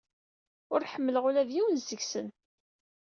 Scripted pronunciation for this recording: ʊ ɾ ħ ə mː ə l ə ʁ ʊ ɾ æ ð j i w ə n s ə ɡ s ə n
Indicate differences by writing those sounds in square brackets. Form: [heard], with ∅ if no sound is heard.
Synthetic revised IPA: ʊ ɾ ħ ə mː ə l ə ʁ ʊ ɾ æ ð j i w ə n [z] ə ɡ s ə n